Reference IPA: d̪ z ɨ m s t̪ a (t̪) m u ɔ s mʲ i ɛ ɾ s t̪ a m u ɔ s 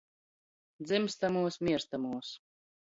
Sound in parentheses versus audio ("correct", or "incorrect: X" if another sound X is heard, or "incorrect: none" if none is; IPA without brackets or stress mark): incorrect: none